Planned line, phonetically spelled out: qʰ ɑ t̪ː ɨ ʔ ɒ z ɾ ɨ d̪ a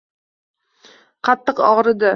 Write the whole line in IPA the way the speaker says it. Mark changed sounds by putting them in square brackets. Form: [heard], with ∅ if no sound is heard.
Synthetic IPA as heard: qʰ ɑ t̪ː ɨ [q] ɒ [ʁ] ɾ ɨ d̪ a